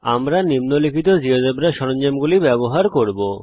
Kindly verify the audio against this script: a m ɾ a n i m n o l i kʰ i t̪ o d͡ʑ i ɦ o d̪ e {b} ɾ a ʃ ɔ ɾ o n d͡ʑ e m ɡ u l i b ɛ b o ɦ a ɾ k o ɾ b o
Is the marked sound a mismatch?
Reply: no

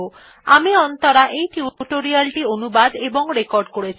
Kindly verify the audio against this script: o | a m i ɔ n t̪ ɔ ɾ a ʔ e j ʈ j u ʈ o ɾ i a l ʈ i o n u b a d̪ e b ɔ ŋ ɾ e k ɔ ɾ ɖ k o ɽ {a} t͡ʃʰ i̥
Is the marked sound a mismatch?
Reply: yes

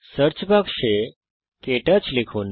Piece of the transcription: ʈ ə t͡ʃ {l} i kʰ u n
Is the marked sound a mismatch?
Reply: no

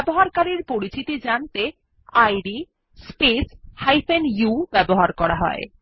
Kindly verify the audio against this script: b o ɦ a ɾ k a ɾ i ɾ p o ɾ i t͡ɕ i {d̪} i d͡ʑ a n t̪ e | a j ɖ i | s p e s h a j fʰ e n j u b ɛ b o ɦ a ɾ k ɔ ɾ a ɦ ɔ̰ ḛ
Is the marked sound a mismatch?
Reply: yes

